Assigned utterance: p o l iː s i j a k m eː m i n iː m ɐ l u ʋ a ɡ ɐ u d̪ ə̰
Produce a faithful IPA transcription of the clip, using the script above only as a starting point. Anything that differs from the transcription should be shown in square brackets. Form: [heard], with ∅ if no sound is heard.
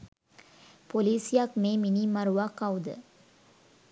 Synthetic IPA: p o l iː s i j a k m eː m i n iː m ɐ [ɾ] u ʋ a [k] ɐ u d̪ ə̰

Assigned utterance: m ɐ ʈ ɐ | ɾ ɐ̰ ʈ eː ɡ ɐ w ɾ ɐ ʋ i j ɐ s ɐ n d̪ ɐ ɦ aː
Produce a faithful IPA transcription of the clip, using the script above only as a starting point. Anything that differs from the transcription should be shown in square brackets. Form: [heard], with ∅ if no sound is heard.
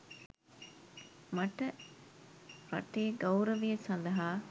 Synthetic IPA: m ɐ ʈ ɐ | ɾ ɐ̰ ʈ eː ɡ ɐ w ɾ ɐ ʋ i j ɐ s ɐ n d̪ ɐ ɦ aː

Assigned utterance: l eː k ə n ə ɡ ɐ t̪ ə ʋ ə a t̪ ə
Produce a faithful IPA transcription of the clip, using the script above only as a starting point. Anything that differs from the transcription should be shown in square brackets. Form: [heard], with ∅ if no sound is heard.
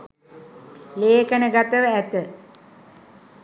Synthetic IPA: l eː k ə n ə ɡ [a] t̪ ə ʋ ə [æ] t̪ ə

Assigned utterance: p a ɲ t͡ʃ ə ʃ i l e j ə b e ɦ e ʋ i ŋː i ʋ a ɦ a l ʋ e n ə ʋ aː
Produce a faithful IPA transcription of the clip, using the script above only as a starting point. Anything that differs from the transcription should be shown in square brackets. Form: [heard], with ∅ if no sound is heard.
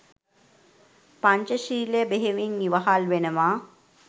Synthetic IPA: p a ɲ t͡ʃ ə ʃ [iː] l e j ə b e ɦ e ʋ i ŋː i ʋ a ɦ a l ʋ e n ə ʋ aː

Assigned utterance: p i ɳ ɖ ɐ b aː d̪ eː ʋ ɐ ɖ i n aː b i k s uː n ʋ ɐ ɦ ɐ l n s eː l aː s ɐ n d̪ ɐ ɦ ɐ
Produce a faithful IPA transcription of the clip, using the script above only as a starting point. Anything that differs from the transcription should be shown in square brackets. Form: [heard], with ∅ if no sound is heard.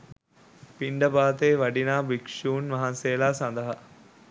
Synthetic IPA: p i ɳ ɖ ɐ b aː [t̪] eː ʋ ɐ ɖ i n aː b i k [ʂ] uː n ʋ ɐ ɦ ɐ [∅] n s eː l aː s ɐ n d̪ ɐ ɦ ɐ

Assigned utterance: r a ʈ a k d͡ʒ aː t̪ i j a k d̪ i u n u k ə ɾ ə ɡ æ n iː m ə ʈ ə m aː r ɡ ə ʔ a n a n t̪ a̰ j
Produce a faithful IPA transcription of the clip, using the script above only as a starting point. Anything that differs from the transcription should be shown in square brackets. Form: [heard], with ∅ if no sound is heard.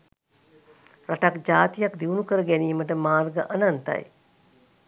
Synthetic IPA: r a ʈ a k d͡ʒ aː t̪ i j a k d̪ i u n u k ə ɾ ə ɡ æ n iː m ə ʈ ə m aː r ɡ ə ʔ a n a n t̪ a̰ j

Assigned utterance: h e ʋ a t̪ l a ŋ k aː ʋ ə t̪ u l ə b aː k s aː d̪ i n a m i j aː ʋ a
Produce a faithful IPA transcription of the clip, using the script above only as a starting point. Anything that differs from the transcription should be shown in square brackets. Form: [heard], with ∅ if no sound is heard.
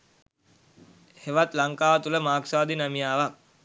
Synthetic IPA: h e ʋ a t̪ l a ŋ k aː ʋ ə t̪ u l ə [m] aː k s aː d̪ i n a m i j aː ʋ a

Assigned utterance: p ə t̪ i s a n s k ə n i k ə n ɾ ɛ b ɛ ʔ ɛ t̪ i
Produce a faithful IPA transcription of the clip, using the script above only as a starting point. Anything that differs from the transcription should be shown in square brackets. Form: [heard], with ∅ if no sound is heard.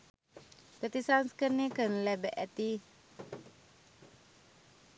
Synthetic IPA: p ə t̪ i s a n s k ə n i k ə n [l] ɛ b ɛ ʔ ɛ t̪ i

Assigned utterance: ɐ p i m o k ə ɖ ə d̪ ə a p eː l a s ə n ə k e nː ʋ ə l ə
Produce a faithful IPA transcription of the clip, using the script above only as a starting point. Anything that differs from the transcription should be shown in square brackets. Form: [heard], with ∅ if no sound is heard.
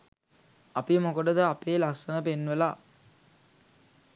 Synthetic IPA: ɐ p i m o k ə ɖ ə d̪ ə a p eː l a s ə n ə [p] e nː ʋ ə l [a]

